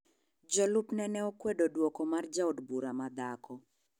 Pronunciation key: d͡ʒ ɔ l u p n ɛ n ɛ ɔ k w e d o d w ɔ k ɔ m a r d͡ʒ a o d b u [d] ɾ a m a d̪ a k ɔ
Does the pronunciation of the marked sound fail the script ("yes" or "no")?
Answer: yes